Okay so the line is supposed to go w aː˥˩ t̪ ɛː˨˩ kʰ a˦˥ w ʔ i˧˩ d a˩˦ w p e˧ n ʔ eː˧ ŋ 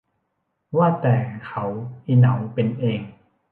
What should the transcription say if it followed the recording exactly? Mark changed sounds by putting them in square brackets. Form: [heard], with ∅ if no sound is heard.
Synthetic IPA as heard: w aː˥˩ t̪ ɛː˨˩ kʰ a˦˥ w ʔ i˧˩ [n] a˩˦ w p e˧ n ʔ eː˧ ŋ